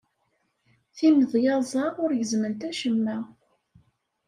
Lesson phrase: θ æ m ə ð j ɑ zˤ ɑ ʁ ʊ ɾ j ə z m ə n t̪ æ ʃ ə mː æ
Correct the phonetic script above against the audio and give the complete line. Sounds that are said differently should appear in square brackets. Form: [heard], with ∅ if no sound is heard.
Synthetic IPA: θ [i] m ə ð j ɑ zˤ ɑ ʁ ʊ ɾ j ə z m ə n t̪ æ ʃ ə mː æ